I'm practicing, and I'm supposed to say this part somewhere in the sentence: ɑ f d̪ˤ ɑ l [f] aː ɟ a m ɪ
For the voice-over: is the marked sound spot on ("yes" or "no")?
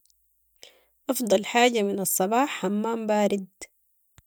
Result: no